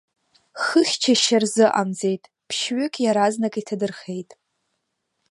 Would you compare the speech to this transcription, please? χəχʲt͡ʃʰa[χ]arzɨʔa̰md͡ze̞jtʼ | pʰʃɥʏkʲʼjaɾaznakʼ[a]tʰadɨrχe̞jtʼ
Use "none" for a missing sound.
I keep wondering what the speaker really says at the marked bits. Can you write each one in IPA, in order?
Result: ʃ, i

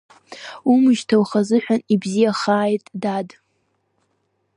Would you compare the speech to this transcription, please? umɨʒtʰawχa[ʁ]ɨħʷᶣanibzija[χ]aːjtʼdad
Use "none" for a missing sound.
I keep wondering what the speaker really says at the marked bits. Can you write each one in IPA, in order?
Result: z, χ

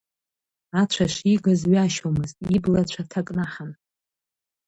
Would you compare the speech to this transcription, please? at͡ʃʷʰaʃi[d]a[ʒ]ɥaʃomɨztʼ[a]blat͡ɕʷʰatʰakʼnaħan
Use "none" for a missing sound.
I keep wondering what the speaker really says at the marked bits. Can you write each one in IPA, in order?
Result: ɡ, z, i

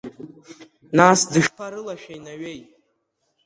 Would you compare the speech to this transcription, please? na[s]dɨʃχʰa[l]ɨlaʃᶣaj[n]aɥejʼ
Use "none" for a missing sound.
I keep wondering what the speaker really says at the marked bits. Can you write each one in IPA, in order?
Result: s, ɾ, n

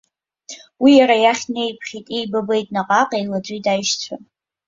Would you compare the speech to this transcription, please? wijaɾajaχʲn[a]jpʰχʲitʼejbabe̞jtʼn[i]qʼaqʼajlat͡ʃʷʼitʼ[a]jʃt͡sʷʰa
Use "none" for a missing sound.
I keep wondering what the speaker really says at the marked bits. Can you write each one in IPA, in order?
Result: e, a, a

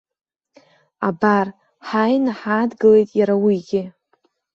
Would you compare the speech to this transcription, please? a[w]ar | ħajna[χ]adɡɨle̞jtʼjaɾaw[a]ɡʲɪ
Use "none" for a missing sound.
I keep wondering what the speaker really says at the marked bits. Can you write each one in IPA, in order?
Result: b, ħ, i

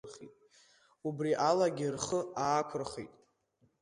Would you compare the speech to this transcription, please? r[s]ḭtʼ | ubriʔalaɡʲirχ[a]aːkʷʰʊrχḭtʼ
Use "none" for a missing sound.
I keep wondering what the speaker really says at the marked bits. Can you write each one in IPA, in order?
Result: χ, ə

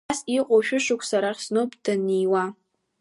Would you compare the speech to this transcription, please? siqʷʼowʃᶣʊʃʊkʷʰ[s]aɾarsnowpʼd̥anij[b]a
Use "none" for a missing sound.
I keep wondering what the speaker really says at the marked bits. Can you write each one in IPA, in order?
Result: s, w

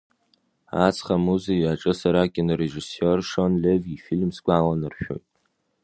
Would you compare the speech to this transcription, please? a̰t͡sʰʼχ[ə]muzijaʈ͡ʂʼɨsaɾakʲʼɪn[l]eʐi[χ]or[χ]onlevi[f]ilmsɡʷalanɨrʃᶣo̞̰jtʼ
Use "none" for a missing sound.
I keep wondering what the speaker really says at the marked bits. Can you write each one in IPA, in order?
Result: a, r, s, ʂ, f

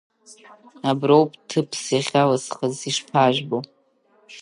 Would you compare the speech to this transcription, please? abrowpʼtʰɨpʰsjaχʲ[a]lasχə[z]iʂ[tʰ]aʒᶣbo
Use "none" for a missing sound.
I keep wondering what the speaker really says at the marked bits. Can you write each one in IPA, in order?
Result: a, z, pʰ

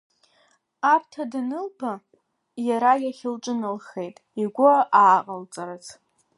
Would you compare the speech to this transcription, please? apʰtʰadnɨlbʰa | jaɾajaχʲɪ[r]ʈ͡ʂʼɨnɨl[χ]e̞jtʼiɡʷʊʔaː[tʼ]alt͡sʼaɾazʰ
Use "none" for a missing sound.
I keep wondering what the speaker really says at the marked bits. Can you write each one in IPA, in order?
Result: l, χ, qʼ

